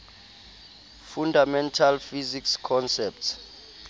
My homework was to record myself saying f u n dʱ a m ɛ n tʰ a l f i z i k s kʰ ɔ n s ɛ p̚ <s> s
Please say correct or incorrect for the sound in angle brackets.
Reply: incorrect: t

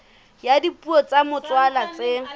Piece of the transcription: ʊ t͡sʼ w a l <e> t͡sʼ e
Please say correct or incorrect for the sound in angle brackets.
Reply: incorrect: a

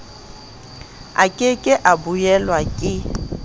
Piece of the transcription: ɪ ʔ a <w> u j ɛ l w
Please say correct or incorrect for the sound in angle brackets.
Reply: incorrect: b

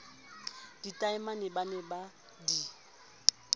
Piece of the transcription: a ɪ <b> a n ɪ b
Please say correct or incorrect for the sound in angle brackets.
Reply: incorrect: m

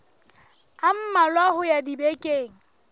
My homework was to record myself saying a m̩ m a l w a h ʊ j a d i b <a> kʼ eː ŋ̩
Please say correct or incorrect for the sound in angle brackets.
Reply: incorrect: e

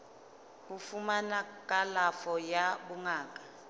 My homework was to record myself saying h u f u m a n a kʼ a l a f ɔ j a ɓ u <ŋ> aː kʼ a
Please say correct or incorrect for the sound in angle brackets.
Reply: correct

